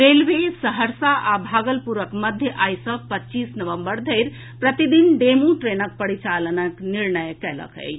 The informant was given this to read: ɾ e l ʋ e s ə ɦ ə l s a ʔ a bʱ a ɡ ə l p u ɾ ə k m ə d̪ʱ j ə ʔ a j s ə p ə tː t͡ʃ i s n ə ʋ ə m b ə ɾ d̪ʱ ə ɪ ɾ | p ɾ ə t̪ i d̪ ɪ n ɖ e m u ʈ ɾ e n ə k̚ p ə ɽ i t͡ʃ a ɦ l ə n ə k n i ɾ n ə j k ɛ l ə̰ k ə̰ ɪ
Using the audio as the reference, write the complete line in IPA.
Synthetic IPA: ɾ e l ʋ e s ə ɦ ə ɾ s a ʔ a bʱ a ɡ ə l p u ɾ ə k m ə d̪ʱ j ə ʔ a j s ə p ə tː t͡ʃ i s n ə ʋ ə m b ə ɾ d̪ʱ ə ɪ ɾ | p ɾ ə t̪ i d̪ i n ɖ e m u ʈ ɾ e n ə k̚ p ə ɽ i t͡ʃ a l ə n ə k n i ɾ n ə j k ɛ l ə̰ k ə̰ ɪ